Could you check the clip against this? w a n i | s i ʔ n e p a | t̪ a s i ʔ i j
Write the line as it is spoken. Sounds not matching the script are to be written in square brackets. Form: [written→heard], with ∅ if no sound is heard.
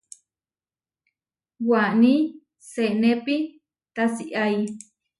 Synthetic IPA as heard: w a n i | s [i→e] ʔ n e p [a→i] | t̪ a s i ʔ [i→a] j